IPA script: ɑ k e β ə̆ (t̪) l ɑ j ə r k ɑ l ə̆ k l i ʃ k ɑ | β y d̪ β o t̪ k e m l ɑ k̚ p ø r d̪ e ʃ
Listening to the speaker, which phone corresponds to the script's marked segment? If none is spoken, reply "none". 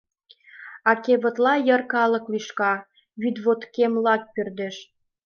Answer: t̪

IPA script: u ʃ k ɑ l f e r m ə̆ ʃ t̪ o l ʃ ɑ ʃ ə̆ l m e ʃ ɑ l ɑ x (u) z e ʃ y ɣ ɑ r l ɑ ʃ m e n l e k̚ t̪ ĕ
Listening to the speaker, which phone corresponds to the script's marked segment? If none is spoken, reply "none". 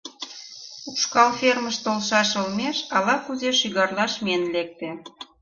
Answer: u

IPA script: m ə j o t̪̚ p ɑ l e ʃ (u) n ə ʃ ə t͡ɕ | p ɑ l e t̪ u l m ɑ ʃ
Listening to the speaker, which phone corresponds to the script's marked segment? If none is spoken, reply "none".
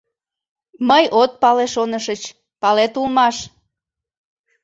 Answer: o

